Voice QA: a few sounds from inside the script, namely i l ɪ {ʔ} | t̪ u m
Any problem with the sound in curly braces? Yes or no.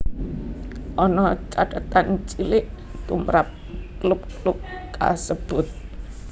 no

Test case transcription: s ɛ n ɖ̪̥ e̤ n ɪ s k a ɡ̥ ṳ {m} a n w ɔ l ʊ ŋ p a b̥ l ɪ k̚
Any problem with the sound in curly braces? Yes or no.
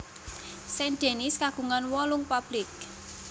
yes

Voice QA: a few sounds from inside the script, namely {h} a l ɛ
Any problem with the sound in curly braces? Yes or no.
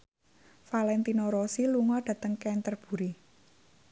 yes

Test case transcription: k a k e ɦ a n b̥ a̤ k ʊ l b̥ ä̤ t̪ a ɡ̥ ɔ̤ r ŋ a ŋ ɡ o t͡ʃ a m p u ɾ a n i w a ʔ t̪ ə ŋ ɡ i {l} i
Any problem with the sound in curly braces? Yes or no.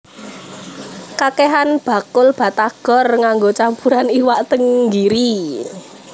yes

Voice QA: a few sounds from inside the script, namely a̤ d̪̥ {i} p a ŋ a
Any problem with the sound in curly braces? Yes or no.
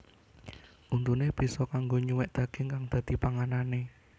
no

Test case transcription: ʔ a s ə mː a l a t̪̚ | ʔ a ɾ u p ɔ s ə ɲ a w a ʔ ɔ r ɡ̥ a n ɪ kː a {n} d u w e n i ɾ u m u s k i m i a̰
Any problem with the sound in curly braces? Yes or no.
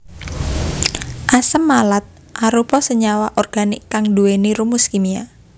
yes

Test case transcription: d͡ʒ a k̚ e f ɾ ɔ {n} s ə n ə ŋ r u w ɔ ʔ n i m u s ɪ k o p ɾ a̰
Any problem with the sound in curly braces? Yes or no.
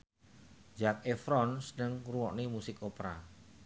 no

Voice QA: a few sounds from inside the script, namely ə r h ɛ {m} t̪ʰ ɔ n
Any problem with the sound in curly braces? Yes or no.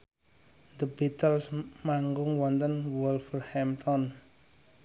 no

